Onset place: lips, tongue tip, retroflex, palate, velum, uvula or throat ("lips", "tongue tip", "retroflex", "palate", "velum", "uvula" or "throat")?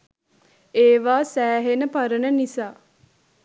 lips